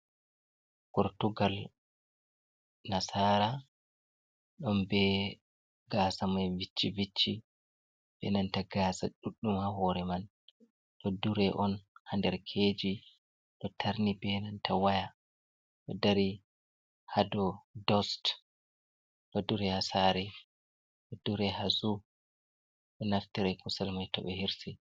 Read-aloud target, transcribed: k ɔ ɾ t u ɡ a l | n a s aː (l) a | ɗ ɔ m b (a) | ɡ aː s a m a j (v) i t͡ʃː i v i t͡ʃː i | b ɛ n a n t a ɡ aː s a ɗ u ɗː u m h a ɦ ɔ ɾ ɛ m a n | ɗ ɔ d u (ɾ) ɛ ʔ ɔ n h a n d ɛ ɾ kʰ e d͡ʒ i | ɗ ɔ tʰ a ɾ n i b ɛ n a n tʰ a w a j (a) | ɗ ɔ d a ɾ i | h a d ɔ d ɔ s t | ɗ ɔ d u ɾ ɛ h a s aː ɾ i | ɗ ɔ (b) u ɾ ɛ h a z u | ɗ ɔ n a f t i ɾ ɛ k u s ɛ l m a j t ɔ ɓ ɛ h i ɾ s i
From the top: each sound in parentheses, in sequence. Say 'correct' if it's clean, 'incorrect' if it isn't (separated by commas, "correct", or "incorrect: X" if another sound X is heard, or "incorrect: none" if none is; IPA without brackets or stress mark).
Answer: incorrect: ɾ, incorrect: ɛ, correct, correct, correct, incorrect: d